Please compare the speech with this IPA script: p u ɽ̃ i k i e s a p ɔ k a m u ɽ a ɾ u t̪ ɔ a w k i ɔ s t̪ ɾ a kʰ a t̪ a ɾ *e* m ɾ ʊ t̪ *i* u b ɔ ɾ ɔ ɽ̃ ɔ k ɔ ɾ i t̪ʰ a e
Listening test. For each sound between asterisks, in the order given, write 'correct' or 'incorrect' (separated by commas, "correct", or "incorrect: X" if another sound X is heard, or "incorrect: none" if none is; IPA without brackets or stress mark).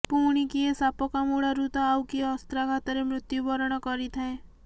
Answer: correct, incorrect: j